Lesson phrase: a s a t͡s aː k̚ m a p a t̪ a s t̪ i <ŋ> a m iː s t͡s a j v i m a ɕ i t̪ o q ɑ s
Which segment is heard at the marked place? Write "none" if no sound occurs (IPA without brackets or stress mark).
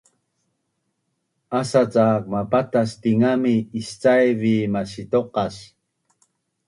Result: ŋ